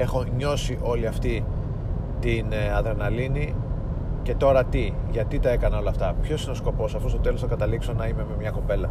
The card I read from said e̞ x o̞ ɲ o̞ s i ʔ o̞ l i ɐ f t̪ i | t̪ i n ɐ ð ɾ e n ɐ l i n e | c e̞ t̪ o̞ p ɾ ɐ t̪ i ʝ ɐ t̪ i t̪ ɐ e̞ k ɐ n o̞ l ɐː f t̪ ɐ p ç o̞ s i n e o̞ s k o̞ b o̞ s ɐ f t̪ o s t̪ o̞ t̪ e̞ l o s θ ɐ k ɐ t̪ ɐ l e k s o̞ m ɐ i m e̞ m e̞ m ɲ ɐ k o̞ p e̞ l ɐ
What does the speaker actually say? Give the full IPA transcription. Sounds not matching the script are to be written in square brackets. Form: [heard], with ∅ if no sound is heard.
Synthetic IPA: e̞ x o̞ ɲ o̞ s i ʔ o̞ l i ɐ f t̪ i | t̪ i n ɐ ð ɾ e n ɐ l i n [i] | c e̞ t̪ o̞ [∅] ɾ ɐ t̪ i ʝ ɐ t̪ i t̪ ɐ e̞ k ɐ n o̞ l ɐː f t̪ ɐ p ç o̞ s i n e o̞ s k o̞ [p] o̞ s ɐ f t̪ o s t̪ o̞ t̪ e̞ l o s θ ɐ k ɐ t̪ ɐ l [i] k s o̞ [n] ɐ i m e̞ m e̞ m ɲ ɐ k o̞ p e̞ l ɐ